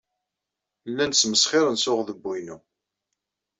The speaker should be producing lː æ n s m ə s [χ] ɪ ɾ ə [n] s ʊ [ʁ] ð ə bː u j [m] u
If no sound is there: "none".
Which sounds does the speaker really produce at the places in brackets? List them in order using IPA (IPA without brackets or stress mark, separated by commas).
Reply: χ, n, ʁ, n